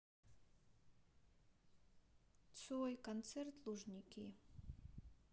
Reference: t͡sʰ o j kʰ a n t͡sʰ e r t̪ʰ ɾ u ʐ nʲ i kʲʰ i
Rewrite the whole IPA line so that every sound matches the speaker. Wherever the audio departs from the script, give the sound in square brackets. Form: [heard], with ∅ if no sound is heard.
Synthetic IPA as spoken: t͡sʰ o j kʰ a n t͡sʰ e r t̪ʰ [l] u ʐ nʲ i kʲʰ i